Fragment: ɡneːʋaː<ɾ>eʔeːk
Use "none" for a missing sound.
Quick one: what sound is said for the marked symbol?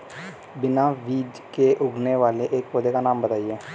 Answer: l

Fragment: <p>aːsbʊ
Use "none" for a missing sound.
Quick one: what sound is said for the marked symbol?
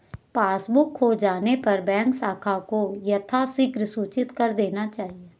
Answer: p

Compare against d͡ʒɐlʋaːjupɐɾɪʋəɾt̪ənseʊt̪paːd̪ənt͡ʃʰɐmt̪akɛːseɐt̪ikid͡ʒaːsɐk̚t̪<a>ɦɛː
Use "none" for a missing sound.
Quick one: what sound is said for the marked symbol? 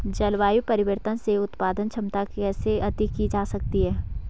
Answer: i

